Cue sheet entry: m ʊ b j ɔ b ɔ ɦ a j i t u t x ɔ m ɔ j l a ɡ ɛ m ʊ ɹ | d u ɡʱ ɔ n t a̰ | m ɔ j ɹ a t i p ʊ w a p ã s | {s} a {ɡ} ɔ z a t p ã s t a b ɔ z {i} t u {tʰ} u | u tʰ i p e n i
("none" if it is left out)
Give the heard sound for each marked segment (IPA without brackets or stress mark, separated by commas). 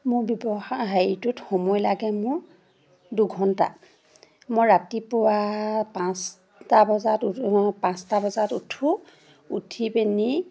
t, b, a, tʰ